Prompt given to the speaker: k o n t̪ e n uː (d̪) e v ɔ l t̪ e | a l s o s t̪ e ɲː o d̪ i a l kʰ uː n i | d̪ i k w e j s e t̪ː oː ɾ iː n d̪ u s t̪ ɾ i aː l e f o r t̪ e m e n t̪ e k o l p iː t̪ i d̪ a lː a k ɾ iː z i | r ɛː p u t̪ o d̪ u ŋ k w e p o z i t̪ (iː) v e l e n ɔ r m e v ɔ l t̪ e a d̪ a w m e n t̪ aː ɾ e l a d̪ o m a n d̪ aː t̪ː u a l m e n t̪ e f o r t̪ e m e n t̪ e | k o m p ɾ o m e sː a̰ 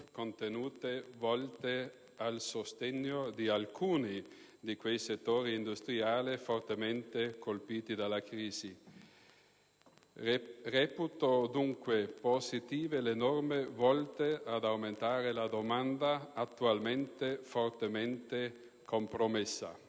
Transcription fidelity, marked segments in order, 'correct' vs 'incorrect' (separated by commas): incorrect, correct